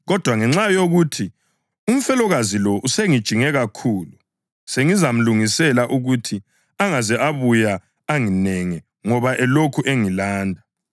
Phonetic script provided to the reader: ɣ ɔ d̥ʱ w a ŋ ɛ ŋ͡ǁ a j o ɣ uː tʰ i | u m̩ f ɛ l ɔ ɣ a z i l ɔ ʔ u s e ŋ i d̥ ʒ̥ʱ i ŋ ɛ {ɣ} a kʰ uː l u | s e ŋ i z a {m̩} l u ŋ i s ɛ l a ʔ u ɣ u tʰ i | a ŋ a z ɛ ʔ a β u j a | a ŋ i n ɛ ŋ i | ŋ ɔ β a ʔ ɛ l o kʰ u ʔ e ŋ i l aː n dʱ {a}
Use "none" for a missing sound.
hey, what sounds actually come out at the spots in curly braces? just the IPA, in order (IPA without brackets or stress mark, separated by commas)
ɣ, m̩, a